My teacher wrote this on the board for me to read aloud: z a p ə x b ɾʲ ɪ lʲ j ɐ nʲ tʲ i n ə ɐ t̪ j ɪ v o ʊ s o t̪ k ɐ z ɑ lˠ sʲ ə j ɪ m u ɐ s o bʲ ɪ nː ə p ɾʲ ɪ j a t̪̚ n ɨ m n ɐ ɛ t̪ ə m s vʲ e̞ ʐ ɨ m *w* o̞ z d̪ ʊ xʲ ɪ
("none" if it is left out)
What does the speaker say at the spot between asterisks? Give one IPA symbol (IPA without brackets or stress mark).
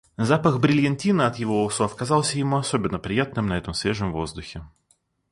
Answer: v